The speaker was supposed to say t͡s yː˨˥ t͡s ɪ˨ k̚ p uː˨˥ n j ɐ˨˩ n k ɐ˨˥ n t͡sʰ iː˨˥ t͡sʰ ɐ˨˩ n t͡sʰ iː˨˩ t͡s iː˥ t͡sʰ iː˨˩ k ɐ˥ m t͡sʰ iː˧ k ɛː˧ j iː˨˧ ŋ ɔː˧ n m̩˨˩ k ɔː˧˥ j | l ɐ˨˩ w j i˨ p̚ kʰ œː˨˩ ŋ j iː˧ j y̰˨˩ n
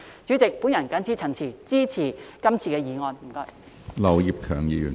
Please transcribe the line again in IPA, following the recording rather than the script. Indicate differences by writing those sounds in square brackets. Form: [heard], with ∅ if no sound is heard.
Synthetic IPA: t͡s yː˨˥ t͡s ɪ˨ k̚ p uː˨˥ n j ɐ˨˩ n k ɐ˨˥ n t͡sʰ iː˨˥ t͡sʰ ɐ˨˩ n t͡sʰ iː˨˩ t͡s iː˥ t͡sʰ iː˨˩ k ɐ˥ m t͡sʰ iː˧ k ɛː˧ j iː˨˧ ŋ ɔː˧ n m̩˨˩ k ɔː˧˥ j | l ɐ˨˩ w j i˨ p̚ kʰ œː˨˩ ŋ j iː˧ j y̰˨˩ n